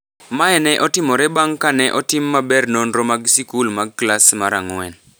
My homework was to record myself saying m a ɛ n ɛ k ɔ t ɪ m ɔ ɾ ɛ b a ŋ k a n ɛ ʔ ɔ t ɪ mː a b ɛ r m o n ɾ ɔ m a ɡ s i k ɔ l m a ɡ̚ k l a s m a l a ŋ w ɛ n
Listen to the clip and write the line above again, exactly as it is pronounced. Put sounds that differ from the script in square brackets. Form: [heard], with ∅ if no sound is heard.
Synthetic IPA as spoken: m a ɛ n ɛ [ʔ] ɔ t ɪ m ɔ ɾ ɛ b a ŋ k a n ɛ ʔ ɔ t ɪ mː a b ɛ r [n] o n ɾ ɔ m a ɡ s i k [u] l m a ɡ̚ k l a s m a [ɾ] a ŋ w ɛ n